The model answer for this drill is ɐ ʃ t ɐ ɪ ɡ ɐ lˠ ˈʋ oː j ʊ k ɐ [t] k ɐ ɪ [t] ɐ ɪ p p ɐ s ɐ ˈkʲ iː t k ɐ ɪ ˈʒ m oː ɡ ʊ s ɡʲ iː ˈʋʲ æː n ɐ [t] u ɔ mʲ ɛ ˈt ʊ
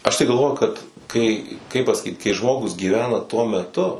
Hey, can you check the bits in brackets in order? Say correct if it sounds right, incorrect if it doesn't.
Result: correct, incorrect: k, correct

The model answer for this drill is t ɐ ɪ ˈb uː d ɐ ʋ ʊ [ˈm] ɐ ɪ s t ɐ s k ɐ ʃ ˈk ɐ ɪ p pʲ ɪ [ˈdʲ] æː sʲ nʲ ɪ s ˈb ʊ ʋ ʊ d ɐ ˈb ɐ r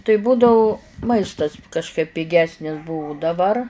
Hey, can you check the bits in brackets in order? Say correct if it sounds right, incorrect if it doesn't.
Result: correct, incorrect: ɡʲ

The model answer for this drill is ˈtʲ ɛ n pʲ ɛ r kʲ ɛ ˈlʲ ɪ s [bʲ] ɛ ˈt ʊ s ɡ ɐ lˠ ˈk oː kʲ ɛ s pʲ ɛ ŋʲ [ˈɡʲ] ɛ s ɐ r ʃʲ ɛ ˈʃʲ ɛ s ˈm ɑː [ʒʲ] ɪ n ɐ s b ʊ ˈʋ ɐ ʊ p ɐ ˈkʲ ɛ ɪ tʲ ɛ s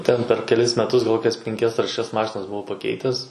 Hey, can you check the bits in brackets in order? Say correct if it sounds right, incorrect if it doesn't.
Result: incorrect: mʲ, incorrect: kʲ, incorrect: ʃʲ

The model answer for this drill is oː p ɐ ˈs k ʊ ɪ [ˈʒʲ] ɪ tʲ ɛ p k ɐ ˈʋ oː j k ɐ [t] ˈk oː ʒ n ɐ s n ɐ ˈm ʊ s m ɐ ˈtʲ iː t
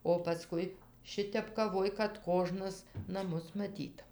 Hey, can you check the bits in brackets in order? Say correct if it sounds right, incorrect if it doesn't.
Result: incorrect: ʃʲ, correct

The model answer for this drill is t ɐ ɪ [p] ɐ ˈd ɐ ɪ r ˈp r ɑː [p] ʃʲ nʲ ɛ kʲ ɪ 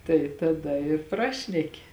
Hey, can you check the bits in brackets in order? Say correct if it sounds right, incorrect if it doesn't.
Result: incorrect: t, incorrect: none

